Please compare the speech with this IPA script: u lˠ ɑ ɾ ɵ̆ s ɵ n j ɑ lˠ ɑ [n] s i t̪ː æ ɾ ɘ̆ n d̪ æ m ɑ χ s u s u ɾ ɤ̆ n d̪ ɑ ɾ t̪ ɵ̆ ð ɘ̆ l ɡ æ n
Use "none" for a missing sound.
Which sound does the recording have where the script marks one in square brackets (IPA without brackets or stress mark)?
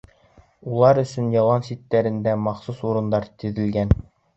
n